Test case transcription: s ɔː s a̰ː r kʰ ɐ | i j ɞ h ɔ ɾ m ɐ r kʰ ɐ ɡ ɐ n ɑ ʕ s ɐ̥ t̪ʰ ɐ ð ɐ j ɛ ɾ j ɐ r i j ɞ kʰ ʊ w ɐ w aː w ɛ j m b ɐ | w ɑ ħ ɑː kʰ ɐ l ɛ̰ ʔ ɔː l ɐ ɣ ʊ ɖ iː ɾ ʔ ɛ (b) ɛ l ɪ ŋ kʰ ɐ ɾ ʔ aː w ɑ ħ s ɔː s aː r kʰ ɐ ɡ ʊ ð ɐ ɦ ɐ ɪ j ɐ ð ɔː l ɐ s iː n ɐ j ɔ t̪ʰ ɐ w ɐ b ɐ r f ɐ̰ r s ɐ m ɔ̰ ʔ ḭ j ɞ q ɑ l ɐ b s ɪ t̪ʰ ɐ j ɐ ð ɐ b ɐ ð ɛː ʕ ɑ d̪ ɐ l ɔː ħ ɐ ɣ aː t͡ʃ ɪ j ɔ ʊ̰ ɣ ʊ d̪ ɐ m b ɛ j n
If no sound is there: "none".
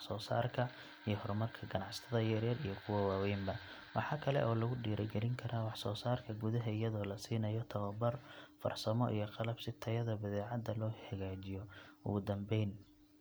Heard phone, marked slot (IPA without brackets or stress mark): ɡ